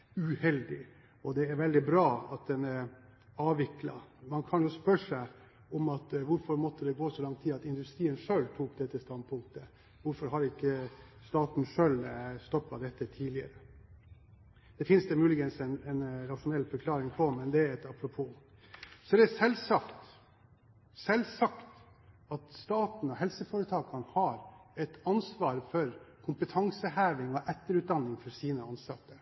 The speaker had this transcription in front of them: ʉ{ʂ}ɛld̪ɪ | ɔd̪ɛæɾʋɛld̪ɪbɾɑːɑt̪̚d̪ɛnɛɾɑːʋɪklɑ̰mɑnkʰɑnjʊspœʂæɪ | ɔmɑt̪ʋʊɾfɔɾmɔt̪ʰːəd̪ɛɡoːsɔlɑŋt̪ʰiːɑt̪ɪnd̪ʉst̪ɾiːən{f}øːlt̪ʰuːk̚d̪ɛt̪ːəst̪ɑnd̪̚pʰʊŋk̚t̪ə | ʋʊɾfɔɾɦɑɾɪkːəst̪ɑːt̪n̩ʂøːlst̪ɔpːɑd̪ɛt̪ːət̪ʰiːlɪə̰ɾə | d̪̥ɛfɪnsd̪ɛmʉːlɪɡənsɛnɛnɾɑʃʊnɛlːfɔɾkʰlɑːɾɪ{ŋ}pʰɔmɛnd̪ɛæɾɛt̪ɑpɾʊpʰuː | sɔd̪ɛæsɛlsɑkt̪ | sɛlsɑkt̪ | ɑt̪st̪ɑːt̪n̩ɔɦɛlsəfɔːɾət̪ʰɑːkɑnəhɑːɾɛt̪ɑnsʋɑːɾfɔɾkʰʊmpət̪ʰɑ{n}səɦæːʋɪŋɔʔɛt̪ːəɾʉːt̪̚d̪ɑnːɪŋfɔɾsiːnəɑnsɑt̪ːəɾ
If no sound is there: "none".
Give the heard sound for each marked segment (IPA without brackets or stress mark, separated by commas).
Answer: h, ʂ, ŋ, ŋ